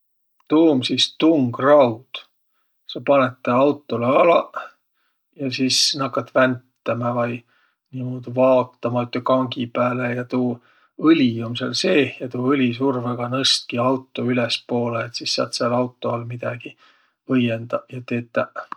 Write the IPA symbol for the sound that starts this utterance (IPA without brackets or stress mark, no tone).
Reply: t̪